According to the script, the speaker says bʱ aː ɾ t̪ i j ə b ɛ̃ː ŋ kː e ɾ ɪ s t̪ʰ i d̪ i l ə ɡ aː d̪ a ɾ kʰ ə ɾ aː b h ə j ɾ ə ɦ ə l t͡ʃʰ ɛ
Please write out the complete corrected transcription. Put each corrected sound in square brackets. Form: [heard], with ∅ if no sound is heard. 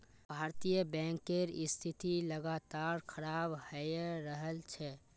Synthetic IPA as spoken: bʱ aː ɾ t̪ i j ə b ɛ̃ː ŋ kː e ɾ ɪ s t̪ʰ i [t̪] i l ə ɡ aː [t̪] a ɾ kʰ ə ɾ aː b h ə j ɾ ə ɦ ə l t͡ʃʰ ɛ